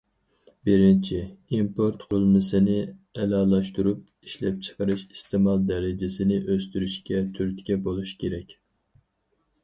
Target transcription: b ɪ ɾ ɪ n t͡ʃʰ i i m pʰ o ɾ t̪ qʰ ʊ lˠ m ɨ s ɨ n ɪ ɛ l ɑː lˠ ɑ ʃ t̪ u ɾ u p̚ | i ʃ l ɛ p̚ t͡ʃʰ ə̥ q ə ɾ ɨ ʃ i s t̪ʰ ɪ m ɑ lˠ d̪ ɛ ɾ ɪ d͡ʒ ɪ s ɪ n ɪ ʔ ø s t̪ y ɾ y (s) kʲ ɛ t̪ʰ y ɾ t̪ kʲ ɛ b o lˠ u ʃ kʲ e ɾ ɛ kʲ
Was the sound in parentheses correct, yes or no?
no